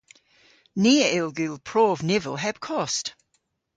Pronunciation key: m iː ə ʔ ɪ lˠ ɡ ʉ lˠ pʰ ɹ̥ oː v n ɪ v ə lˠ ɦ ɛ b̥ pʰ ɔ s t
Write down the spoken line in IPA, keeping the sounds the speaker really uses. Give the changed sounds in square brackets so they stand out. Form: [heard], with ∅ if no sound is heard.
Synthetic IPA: [n] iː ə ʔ ɪ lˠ ɡ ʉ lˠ pʰ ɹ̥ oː v n ɪ v ə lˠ ɦ ɛ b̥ [kʰ] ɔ s t